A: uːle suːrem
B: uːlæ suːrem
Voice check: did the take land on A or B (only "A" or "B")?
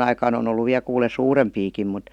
A